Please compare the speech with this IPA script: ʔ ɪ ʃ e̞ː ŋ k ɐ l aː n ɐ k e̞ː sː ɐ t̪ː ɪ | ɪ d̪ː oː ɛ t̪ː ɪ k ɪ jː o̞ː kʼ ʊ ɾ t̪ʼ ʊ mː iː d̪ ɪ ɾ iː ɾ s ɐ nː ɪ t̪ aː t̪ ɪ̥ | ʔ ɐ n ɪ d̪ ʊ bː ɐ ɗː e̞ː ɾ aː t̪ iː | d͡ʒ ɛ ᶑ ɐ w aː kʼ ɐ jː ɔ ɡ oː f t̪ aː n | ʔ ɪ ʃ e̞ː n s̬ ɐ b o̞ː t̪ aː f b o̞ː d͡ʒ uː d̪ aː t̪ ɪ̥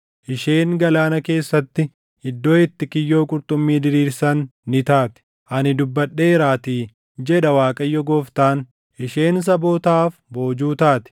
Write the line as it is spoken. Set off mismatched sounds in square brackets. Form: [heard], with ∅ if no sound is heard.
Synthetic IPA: ʔ ɪ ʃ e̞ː ŋ [ɡ] ɐ l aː n ɐ k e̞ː sː ɐ t̪ː ɪ | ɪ d̪ː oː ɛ t̪ː ɪ k ɪ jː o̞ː kʼ ʊ ɾ t̪ʼ ʊ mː iː d̪ ɪ ɾ iː ɾ s ɐ nː ɪ t̪ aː t̪ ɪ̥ | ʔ ɐ n ɪ d̪ ʊ bː ɐ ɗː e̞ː ɾ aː t̪ iː | d͡ʒ ɛ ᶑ ɐ w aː kʼ ɐ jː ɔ ɡ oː f t̪ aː n | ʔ ɪ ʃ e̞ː n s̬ ɐ b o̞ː t̪ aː f b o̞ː d͡ʒ uː [t̪] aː t̪ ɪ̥